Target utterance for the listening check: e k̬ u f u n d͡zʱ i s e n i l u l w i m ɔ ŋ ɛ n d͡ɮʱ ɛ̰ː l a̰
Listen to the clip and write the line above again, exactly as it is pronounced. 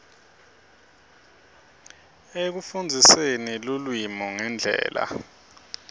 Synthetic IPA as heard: e k̬ u f u n d͡zʱ i s e n i l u l w i m ɔ ŋ ɛ n d͡ɮʱ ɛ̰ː l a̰

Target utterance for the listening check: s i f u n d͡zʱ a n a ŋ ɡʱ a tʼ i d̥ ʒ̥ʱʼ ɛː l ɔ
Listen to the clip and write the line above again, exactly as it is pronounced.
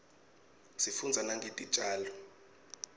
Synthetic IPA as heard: s i f u n d͡zʱ a n a ŋ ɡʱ e tʼ i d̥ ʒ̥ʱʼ aː l ɔ

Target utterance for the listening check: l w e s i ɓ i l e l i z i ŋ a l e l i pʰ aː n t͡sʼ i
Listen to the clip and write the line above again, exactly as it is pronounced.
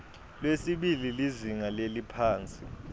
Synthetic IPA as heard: l w e s i ɓ i l i l i z i ŋ a l e l i pʰ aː n t͡sʼ i

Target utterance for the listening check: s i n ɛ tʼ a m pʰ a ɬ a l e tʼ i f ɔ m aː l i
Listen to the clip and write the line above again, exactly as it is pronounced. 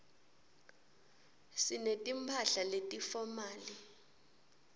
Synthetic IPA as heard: s i n e tʼ i m pʰ a ɬ a l e tʼ i f ɔ m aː l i

